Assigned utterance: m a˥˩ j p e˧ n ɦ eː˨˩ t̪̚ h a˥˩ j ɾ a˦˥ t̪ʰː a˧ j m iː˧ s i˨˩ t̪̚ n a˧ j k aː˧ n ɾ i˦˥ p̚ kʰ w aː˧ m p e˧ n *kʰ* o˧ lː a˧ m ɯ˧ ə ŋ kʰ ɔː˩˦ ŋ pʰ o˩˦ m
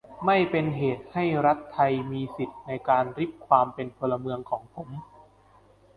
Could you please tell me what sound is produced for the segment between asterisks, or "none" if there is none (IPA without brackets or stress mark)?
pʰ